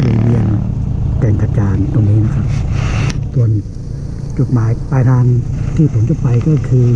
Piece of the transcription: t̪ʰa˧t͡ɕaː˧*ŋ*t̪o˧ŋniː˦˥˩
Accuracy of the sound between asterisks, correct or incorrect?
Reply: incorrect